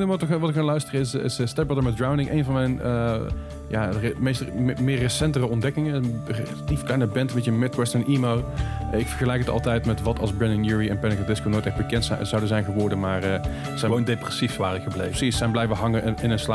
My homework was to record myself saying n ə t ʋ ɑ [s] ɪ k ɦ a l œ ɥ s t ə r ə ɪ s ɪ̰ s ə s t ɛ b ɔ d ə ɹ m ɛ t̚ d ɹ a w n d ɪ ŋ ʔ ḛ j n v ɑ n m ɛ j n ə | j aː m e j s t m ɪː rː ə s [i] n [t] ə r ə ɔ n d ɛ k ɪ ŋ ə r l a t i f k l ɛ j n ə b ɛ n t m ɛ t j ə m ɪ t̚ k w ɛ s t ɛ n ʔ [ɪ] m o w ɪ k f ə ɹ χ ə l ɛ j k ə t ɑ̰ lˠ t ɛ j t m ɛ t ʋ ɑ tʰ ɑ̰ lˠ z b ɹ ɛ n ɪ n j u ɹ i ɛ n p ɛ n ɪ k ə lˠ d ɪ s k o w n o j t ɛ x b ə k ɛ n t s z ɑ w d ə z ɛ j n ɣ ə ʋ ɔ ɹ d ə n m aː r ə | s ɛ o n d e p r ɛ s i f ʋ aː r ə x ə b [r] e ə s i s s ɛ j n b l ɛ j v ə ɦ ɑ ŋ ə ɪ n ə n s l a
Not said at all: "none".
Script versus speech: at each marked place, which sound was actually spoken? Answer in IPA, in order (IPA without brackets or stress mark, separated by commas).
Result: t, ɛ, t, i, l